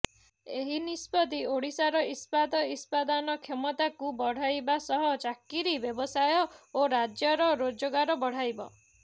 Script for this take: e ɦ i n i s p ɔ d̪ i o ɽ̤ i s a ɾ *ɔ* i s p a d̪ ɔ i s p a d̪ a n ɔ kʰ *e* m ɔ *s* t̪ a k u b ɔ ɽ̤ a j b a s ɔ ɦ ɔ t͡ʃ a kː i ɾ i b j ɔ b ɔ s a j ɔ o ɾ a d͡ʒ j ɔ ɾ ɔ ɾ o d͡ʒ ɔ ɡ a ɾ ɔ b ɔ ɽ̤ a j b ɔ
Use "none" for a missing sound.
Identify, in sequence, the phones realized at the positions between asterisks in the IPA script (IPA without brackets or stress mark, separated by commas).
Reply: ɔ, e, none